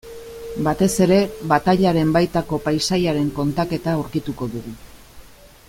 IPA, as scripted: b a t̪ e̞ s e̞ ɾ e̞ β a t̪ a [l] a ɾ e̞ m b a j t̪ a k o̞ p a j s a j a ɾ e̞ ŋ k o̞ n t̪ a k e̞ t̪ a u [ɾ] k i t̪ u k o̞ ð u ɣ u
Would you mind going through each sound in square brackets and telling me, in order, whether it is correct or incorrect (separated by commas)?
incorrect, correct